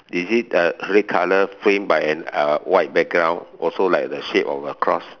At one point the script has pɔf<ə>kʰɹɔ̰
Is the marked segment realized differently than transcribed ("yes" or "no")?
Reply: no